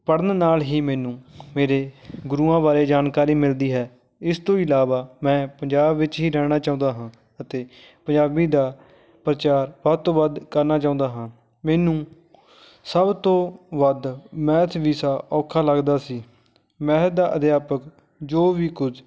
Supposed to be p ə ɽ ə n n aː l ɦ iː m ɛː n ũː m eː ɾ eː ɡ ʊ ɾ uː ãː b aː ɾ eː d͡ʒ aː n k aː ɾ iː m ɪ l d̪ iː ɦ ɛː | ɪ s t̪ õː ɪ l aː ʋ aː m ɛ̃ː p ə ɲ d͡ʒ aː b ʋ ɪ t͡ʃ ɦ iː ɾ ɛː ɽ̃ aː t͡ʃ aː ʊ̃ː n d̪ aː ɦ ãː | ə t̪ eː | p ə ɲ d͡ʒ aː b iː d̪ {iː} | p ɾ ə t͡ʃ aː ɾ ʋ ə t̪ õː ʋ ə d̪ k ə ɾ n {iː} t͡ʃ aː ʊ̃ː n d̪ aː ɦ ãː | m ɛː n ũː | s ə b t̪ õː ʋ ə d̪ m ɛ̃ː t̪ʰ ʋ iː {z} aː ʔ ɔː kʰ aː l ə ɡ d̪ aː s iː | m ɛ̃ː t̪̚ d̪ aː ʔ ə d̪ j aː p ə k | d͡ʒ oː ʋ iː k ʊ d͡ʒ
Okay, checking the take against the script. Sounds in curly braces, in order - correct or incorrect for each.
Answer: incorrect: aː, incorrect: aː, incorrect: s

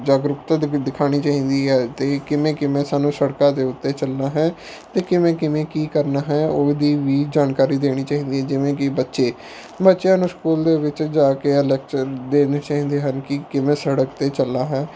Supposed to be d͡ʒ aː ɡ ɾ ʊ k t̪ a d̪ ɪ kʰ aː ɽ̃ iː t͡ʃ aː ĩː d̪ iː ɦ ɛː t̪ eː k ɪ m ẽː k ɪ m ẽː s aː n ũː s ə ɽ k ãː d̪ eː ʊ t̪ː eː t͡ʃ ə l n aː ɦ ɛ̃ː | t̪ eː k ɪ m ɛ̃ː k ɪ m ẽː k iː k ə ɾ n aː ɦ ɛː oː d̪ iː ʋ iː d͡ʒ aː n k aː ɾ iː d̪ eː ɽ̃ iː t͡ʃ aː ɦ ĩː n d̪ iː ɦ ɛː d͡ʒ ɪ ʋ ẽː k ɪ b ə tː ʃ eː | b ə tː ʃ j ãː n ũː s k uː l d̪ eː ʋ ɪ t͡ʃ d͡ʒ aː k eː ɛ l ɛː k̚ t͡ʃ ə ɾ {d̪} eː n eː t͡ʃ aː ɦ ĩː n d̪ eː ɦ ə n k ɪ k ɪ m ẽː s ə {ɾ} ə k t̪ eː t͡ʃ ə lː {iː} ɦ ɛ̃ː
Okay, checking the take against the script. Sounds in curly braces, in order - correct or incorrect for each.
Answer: correct, incorrect: ɽ, incorrect: aː

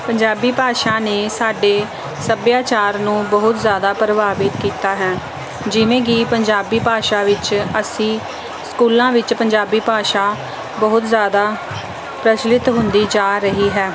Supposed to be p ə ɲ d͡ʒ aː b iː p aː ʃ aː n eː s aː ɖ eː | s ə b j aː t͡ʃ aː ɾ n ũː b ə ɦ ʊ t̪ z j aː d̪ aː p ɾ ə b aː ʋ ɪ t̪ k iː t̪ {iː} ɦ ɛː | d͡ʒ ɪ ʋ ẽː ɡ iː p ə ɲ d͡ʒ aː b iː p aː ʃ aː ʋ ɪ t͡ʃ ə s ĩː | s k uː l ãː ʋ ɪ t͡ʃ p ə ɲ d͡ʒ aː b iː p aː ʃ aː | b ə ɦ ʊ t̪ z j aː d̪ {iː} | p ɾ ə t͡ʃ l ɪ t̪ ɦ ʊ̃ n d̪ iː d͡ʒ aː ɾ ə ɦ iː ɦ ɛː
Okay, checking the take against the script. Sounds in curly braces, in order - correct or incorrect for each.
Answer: incorrect: aː, incorrect: aː

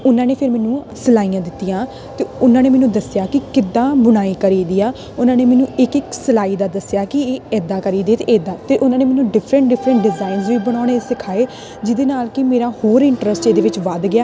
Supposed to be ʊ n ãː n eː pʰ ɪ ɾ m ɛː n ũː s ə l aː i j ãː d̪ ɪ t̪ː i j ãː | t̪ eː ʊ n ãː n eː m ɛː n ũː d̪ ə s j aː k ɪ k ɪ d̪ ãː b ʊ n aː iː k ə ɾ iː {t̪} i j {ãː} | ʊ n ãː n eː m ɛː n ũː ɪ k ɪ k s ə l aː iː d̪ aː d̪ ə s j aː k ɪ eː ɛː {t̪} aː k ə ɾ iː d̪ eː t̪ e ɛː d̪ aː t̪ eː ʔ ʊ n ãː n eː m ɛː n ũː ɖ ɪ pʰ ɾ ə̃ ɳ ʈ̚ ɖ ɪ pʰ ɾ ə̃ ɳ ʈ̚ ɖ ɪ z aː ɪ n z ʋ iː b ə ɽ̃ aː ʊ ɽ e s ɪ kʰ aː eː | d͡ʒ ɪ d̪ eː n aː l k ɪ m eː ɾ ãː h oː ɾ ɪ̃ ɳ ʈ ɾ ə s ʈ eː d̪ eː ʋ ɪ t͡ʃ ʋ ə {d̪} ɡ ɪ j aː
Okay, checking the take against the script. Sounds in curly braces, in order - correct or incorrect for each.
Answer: incorrect: d̪, incorrect: aː, incorrect: d̪, correct

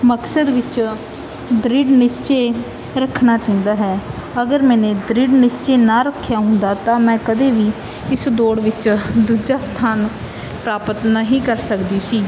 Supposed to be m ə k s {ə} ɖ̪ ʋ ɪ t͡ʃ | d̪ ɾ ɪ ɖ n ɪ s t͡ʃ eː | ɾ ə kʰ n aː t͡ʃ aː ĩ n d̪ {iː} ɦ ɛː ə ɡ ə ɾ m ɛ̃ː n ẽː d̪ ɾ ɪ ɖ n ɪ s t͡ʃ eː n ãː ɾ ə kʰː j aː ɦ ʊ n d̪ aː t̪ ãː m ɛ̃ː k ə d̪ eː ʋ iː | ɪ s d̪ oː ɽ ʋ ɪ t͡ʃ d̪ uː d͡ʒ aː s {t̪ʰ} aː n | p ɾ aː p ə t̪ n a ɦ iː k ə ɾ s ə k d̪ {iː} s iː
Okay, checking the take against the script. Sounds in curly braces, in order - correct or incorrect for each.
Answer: correct, incorrect: aː, correct, correct

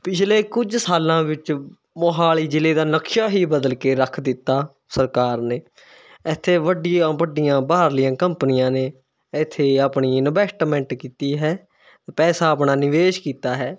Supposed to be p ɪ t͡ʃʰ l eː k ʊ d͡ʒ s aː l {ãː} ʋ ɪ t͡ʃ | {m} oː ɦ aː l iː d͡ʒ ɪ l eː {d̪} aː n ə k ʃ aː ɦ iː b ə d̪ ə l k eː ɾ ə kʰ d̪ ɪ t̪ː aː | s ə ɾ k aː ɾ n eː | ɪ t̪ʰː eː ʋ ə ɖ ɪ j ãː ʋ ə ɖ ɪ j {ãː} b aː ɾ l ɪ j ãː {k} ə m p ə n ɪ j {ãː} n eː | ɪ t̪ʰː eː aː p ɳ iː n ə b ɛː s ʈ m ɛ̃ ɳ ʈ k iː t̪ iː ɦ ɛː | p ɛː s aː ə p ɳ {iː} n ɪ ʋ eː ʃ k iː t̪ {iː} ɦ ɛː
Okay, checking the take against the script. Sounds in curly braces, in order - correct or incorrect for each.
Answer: correct, correct, correct, correct, correct, correct, incorrect: aː, incorrect: aː

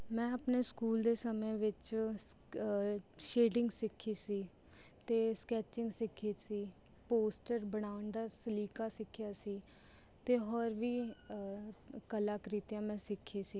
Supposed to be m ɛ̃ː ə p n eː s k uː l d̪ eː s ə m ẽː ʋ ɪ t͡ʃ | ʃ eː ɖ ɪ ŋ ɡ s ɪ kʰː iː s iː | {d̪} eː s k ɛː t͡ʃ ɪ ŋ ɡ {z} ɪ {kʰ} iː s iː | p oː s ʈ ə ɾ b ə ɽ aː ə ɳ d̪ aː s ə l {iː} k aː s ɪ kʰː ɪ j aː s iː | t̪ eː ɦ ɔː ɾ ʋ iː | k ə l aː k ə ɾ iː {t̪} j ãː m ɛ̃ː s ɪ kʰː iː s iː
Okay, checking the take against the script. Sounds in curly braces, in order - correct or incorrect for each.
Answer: incorrect: t̪, incorrect: s, correct, correct, correct

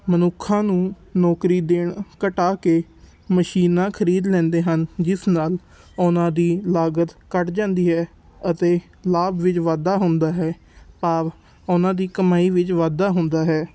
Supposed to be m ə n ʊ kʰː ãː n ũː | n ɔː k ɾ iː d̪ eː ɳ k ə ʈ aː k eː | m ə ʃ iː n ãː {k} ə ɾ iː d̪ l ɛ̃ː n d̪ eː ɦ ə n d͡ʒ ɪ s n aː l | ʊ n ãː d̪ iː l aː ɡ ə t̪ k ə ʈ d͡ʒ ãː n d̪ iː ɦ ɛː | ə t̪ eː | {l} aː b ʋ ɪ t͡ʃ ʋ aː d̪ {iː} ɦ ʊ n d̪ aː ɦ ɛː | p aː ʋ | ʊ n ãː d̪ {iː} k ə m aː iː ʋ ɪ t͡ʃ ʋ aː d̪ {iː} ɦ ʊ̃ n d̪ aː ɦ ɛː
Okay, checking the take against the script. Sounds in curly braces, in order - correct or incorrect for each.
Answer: incorrect: kʰ, correct, incorrect: aː, correct, incorrect: aː

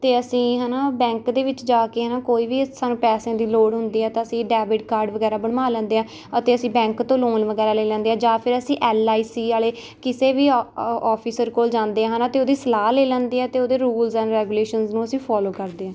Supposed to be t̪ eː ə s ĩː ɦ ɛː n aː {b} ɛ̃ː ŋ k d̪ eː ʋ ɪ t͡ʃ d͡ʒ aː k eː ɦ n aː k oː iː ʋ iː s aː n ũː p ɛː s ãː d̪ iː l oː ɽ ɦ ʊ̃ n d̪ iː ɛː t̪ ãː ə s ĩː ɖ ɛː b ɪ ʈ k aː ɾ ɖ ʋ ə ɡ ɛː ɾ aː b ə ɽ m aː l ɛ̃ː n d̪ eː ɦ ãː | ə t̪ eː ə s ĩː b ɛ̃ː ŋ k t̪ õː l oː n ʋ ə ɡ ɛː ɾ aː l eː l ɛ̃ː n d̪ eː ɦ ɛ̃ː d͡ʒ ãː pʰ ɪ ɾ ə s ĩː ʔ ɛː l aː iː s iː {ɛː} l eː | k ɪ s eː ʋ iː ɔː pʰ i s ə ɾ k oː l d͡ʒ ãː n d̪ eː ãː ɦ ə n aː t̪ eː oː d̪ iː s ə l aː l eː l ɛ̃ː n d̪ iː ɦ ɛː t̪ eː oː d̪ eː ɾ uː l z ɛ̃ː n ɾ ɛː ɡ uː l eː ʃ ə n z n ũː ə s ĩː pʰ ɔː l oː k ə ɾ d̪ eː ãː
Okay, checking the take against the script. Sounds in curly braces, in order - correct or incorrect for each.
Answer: correct, incorrect: aː

